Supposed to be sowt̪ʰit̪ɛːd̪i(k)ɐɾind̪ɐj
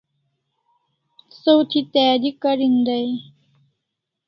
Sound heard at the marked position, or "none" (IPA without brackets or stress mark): k